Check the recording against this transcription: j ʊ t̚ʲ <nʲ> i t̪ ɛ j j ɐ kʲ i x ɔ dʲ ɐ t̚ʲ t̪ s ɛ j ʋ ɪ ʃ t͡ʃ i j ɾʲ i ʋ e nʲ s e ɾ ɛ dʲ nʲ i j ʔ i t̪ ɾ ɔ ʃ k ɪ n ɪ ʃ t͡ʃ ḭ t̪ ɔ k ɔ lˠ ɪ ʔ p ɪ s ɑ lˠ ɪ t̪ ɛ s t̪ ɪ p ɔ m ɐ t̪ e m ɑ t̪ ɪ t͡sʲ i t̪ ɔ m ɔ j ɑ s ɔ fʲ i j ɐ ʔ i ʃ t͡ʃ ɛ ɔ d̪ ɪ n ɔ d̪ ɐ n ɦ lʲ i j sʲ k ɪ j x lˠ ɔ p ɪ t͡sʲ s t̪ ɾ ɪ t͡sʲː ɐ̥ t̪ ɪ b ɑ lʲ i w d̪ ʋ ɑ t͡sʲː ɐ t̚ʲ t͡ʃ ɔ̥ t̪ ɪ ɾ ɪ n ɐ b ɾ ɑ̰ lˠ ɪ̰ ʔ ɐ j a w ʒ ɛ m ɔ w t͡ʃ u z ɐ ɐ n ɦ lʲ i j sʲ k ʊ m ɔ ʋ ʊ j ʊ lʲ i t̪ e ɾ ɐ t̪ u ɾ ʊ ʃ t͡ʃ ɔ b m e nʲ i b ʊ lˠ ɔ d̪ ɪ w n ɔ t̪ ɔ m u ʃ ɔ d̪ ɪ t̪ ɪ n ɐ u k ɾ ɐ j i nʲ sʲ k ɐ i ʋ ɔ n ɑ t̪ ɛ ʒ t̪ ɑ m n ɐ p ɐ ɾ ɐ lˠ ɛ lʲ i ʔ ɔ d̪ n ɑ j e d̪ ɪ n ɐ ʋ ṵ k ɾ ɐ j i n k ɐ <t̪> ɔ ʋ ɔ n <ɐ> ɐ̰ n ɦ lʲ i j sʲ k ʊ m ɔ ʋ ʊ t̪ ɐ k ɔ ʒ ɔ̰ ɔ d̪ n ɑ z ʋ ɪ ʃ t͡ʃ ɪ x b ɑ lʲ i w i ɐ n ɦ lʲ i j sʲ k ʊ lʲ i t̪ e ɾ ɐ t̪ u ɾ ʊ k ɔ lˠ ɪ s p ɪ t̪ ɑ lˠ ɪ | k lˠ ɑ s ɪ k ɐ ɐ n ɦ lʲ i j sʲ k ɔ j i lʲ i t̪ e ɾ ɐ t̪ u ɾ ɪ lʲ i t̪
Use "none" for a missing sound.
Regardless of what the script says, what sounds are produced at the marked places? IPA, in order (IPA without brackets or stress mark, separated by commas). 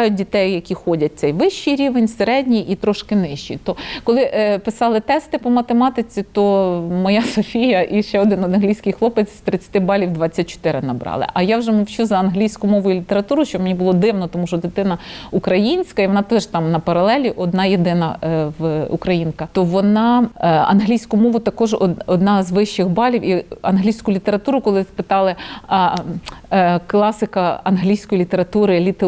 dʲ, t̪, ɑ